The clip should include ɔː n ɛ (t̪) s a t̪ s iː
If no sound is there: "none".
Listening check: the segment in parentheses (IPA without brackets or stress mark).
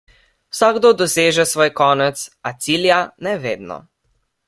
t̪